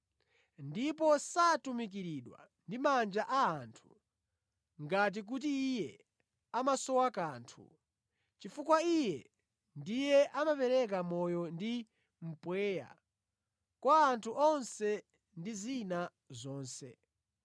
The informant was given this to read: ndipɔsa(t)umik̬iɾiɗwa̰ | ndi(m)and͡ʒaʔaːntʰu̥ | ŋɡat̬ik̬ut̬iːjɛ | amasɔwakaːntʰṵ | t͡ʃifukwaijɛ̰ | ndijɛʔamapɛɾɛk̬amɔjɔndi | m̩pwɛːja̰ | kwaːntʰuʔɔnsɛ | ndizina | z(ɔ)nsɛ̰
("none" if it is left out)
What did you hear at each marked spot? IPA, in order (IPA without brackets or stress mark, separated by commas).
t, m, ɔː